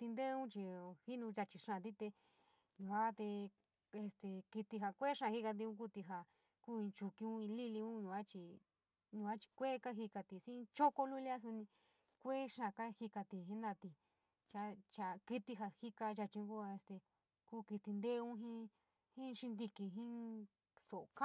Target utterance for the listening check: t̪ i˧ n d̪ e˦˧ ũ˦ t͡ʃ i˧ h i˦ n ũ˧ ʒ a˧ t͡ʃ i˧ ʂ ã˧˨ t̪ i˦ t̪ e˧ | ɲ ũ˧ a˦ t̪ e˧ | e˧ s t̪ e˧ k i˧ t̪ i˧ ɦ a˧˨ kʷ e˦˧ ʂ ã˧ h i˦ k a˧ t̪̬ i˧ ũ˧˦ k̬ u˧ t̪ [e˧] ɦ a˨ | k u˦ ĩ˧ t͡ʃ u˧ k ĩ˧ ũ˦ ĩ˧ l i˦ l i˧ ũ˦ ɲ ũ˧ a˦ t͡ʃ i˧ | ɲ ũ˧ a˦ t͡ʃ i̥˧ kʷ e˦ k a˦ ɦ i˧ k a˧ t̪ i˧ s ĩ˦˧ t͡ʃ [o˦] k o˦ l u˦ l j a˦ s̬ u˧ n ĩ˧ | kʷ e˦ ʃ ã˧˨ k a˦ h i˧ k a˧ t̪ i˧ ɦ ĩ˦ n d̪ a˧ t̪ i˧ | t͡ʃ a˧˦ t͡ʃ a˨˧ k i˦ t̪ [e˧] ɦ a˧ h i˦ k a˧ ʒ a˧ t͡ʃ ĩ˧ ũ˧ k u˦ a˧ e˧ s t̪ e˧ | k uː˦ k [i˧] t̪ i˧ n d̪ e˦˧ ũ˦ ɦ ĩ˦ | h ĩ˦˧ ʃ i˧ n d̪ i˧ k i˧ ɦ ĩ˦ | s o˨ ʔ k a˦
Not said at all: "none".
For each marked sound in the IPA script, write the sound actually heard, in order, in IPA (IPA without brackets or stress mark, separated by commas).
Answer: i˧, o˦, i˧, i˧